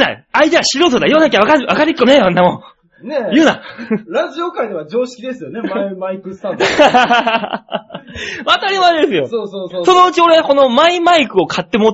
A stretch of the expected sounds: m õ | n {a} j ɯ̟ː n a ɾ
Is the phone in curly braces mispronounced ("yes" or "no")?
yes